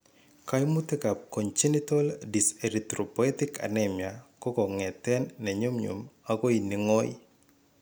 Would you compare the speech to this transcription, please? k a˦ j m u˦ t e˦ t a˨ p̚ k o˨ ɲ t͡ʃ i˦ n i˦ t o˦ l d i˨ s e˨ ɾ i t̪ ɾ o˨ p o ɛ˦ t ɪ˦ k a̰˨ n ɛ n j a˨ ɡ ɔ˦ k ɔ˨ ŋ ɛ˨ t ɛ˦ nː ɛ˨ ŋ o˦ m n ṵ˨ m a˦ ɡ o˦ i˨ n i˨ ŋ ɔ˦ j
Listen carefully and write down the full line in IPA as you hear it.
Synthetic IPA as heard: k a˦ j m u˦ t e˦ k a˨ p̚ k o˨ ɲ t͡ʃ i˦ n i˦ t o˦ l d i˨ s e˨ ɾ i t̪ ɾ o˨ p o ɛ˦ t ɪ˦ k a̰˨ n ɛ m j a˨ k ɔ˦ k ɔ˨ ŋ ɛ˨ t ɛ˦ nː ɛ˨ ɲ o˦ m ɲ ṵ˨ m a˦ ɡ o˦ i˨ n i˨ ŋ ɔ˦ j